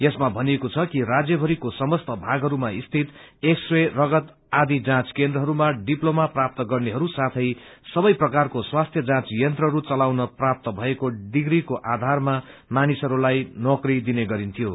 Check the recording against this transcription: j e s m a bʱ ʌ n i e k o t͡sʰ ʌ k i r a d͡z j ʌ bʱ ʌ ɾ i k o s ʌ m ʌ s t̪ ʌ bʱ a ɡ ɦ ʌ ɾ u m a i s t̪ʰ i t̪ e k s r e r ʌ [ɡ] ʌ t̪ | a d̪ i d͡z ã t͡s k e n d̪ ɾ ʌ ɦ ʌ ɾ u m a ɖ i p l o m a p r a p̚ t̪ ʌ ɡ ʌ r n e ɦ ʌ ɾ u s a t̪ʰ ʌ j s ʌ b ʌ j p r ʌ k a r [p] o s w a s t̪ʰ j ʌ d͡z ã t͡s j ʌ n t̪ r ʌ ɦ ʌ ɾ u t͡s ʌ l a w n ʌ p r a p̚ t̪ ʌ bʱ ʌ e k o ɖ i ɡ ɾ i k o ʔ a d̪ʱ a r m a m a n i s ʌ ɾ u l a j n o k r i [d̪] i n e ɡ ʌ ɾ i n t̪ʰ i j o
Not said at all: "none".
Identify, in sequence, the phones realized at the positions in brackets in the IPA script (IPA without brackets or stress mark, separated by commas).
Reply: ɡ, k, d̪